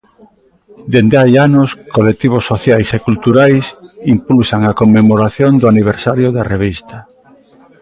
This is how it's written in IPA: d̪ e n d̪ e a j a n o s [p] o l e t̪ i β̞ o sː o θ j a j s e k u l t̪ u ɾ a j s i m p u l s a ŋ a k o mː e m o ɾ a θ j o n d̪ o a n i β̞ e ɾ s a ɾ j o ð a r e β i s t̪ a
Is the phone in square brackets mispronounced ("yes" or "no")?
yes